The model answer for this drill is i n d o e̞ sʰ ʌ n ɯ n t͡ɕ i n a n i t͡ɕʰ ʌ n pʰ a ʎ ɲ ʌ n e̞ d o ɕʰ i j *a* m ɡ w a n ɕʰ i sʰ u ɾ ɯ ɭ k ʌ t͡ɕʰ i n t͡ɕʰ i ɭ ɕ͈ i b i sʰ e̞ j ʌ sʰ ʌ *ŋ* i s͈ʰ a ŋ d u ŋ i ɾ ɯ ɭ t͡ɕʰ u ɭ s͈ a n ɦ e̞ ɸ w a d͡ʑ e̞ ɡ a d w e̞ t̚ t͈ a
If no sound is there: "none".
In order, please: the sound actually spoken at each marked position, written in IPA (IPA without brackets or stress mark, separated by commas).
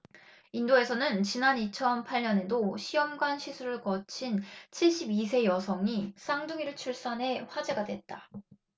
ʌ, ŋ